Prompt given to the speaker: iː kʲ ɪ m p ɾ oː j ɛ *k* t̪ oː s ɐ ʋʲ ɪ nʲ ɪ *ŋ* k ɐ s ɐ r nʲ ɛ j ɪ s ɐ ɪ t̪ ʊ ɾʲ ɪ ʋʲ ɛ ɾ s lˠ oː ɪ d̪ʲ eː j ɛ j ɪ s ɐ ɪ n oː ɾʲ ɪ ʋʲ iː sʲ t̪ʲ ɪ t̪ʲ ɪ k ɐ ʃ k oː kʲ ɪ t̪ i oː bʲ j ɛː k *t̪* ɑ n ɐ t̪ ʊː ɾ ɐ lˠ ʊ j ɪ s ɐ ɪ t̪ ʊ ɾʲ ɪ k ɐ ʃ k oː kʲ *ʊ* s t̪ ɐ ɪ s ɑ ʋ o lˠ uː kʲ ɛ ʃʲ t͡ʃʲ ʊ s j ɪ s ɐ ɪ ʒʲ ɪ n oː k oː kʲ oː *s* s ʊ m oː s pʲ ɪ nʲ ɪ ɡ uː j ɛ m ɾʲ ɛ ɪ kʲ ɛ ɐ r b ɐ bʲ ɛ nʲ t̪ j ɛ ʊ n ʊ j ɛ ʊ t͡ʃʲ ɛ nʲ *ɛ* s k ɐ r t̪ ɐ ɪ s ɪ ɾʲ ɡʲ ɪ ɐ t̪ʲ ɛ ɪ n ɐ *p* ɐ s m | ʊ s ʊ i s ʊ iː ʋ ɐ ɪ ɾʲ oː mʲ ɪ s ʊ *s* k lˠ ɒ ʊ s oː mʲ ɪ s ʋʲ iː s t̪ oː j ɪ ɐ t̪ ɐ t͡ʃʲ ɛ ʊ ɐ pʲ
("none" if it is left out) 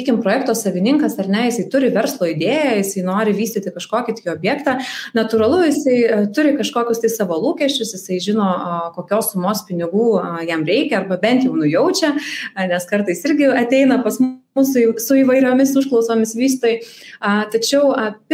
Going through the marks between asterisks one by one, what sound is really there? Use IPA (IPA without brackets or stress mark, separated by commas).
k, ŋ, t̪, ʊ, s, ɛ, p, ʃ